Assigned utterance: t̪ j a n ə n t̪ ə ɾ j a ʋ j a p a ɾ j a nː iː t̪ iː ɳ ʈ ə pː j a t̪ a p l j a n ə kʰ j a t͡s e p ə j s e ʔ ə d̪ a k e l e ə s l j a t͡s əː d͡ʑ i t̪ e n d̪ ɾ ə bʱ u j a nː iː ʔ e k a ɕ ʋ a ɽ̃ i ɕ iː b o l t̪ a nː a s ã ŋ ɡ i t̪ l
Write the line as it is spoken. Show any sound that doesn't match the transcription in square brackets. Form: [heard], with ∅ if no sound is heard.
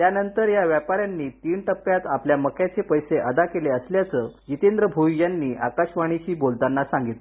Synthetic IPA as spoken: t̪ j a n ə n t̪ ə ɾ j a ʋ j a p a ɾ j a nː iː t̪ iː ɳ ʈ ə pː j a t̪ a p l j a [m] ə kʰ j a t͡s e p ə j s e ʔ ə d̪ a k e l e ə s l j a t͡s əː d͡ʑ i t̪ e n d̪ ɾ ə bʱ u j a nː iː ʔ [a] k a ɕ ʋ a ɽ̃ i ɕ iː b o l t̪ a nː a s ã ŋ ɡ i t̪ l